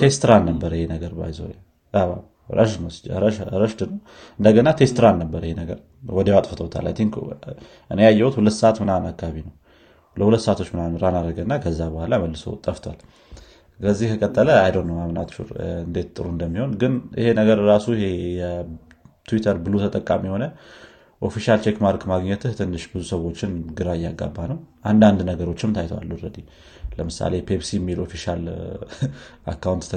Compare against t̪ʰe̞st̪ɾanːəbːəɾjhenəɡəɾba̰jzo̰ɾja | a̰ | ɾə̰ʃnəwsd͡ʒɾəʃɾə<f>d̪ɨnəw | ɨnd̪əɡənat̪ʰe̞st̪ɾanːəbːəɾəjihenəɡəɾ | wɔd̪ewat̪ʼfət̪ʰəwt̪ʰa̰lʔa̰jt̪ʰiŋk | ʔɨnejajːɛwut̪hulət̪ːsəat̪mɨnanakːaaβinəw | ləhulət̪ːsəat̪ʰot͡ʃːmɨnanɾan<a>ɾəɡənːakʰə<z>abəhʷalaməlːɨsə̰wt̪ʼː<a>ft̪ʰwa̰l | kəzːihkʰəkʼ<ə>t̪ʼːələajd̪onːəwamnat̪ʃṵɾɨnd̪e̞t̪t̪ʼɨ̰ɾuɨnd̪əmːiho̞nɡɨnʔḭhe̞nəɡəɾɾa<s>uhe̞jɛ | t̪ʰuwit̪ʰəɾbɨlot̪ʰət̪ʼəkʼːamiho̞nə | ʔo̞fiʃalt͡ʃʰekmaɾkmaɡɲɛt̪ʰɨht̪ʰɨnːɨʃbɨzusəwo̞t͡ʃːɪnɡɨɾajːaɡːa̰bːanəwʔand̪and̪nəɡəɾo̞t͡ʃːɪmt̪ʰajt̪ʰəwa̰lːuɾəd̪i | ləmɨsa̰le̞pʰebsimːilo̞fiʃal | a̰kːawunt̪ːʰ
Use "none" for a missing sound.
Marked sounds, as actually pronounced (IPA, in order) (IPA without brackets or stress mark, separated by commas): ʃ, a, zː, ə, ə, s